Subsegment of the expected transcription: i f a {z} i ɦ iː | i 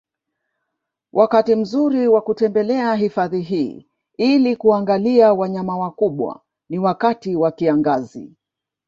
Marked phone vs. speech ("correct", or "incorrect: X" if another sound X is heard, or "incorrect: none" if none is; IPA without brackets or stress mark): incorrect: ð